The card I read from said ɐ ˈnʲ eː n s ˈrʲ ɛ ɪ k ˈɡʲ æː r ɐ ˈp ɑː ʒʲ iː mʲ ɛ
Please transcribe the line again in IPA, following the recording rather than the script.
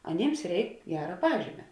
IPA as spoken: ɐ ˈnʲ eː m s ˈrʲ ɛ ɪ k ˈɡʲ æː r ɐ ˈp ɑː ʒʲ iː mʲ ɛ